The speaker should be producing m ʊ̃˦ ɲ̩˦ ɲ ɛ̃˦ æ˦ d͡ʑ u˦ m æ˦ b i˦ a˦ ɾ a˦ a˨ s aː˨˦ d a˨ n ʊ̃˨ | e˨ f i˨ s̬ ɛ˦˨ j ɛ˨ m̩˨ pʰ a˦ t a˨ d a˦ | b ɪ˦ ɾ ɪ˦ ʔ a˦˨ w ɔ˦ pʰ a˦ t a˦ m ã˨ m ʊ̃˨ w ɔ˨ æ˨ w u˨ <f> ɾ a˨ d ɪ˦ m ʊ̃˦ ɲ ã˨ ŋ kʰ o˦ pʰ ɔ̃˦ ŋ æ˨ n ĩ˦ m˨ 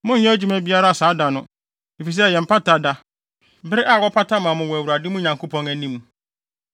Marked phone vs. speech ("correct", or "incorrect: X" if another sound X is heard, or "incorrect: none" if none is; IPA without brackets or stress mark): incorrect: none